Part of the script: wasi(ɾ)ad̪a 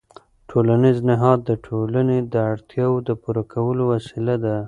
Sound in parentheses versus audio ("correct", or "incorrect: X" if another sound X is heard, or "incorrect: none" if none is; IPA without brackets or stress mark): incorrect: l